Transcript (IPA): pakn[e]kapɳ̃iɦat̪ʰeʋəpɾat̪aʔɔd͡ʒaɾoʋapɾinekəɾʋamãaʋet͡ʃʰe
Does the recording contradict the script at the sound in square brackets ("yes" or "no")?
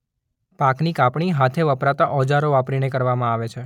yes